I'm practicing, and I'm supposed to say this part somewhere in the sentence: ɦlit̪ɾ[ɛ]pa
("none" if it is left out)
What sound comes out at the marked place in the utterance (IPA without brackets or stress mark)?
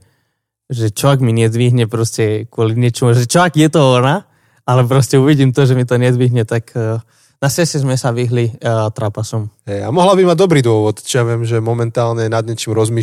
a